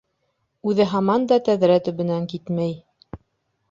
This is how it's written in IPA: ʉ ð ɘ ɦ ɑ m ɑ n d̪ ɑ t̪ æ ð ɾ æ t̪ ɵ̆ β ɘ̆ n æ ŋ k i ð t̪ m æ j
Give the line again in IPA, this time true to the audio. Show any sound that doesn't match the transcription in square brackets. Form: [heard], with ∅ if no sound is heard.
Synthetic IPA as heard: ʉ ð ɘ ɦ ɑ m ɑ n d̪ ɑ t̪ æ ð ɾ æ t̪ ɵ̆ β ɘ̆ n æ ŋ k i [∅] t̪ m æ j